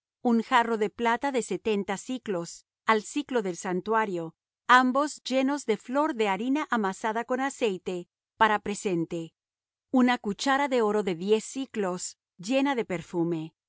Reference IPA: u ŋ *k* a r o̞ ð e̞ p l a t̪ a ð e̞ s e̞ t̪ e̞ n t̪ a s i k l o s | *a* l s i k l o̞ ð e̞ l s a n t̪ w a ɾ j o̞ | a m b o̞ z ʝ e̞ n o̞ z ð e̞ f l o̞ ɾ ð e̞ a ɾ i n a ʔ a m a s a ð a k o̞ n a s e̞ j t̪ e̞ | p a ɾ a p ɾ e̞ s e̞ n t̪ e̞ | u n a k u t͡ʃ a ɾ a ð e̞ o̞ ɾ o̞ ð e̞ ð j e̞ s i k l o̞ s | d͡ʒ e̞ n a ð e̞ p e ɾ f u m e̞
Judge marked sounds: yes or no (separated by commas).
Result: no, yes